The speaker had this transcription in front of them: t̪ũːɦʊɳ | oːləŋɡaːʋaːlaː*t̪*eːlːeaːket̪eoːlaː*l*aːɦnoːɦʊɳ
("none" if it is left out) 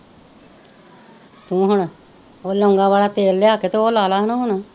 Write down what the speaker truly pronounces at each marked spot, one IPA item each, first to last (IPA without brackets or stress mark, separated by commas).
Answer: t̪, l